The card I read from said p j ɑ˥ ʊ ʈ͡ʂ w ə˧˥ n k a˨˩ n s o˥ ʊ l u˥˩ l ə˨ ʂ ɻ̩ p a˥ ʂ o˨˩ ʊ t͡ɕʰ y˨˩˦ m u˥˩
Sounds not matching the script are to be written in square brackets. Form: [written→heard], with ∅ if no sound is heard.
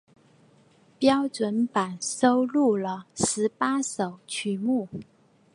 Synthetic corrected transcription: p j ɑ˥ ʊ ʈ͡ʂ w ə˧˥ n [k→p] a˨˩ n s o˥ ʊ l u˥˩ l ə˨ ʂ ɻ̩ p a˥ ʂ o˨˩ ʊ t͡ɕʰ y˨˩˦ m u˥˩